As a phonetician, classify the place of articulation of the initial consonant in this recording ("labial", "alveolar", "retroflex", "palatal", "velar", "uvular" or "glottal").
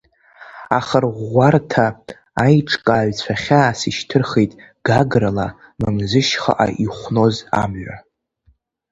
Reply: uvular